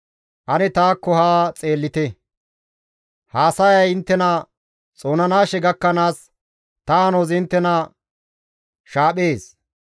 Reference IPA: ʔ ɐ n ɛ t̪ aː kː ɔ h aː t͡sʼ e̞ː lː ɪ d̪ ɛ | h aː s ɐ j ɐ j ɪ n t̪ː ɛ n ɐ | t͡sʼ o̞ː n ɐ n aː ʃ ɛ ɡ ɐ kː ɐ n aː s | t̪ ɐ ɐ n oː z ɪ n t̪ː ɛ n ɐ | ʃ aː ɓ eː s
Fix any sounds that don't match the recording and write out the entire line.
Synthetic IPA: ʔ ɐ n ɛ t̪ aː kː ɔ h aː t͡sʼ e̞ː lː ɪ t̪ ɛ | h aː s ɐ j ɐ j ɪ n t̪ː ɛ n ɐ | t͡sʼ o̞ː n ɐ n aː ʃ ɛ ɡ ɐ kː ɐ n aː s | t̪ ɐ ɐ n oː z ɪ n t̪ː ɛ n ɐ | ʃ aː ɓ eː s